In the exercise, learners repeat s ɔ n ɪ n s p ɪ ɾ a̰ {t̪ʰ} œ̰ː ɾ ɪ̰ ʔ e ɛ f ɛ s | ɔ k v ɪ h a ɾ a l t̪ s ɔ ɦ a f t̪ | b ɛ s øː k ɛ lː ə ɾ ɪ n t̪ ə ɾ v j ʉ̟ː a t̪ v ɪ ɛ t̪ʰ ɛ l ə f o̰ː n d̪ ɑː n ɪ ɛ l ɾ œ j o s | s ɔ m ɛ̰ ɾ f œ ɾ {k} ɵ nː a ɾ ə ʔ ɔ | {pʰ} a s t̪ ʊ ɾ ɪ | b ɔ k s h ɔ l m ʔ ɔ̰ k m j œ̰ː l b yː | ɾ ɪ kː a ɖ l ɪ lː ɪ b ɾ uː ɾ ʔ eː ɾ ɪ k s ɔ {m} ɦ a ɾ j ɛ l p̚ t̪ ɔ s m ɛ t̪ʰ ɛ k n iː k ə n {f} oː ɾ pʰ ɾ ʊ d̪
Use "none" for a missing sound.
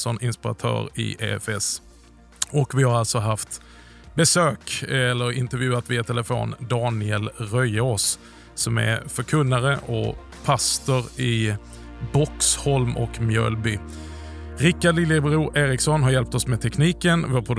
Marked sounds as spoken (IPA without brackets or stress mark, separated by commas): t̪ʰ, kʰ, pʰ, n, v